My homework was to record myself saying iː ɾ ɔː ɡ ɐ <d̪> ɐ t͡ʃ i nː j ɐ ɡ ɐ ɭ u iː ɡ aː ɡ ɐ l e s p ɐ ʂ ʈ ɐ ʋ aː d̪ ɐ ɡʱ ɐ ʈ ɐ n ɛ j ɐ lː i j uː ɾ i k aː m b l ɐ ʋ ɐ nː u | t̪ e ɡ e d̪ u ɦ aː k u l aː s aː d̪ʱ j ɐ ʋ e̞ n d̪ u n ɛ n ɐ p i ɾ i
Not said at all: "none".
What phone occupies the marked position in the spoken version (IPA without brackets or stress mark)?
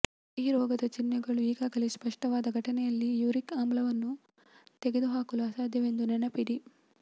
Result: d̪